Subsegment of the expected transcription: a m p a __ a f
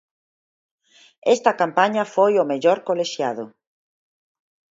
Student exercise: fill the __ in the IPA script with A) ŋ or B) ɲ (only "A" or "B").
B